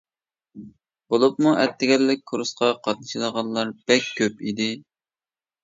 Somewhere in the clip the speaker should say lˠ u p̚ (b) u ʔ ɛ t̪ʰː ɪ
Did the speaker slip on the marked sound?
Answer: yes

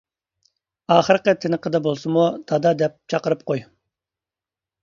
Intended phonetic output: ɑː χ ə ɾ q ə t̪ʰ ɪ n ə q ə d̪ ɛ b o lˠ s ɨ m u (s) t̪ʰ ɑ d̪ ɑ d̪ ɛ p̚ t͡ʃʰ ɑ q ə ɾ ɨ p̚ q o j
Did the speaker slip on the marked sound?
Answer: yes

